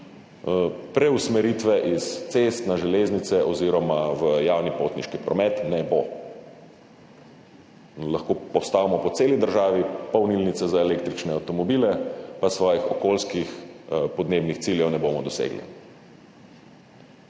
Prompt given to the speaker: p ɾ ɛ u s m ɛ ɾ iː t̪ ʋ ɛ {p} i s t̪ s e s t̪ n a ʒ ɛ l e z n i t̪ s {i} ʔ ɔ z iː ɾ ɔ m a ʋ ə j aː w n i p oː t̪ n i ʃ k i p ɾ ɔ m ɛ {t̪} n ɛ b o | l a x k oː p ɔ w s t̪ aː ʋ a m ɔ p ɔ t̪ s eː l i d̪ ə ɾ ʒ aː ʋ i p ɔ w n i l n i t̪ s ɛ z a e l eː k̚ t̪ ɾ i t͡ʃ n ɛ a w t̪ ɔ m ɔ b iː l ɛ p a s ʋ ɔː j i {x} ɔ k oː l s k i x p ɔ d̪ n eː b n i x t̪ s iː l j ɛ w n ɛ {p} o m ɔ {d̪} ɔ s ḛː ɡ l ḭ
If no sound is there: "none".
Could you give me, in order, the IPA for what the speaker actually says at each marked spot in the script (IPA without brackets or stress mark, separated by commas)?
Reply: ʔ, ɛ, t̪, x, b, d̪